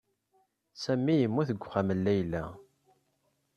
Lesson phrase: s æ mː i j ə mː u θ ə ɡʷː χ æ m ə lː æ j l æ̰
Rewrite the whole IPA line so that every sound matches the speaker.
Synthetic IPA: s æ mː i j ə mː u θ ə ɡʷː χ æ m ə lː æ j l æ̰